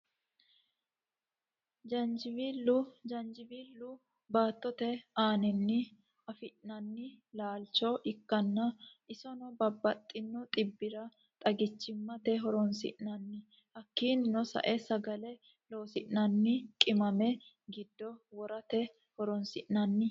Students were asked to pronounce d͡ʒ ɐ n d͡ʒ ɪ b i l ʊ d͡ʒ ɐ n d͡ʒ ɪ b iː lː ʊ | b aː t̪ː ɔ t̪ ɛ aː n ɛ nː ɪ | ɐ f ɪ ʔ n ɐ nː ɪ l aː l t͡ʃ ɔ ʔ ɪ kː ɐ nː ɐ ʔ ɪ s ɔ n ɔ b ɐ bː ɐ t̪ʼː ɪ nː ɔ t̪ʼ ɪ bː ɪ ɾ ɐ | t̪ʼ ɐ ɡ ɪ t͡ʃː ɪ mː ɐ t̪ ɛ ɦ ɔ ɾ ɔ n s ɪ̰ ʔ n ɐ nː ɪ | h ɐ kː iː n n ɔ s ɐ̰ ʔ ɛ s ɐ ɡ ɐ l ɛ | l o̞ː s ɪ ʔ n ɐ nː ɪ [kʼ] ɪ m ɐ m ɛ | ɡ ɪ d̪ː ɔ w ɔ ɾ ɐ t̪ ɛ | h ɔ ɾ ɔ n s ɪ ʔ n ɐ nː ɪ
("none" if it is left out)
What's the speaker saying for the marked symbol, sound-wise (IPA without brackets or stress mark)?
kʼ